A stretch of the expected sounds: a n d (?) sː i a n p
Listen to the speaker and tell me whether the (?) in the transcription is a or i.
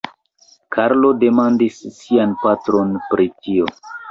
i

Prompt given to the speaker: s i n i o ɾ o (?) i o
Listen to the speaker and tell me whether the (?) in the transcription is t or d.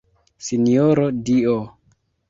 d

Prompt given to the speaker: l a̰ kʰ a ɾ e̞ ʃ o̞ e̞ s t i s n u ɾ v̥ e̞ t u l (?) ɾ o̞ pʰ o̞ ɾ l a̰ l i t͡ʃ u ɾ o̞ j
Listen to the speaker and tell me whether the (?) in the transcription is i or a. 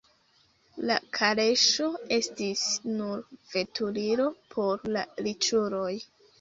i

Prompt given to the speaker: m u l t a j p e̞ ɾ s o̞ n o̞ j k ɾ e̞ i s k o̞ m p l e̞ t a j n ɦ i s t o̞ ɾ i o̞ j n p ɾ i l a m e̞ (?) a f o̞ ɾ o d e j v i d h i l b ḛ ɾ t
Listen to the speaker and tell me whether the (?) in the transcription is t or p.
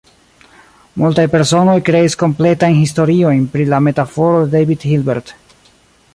t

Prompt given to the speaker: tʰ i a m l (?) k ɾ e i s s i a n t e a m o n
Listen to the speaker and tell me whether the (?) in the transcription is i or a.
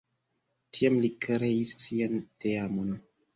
i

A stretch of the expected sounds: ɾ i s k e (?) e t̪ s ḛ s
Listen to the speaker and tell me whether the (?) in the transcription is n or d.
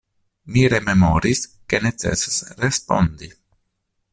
n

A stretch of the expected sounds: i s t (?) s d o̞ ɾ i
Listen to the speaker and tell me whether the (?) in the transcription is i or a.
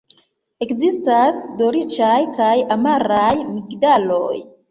a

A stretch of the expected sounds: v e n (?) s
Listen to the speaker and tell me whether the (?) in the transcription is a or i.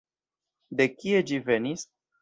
i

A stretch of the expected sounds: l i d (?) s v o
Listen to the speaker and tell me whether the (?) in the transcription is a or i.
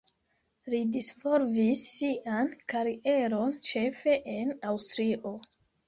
i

